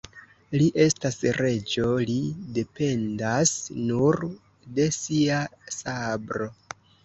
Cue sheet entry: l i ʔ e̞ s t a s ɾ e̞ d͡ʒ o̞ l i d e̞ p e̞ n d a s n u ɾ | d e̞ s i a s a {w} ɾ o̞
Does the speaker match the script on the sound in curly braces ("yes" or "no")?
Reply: no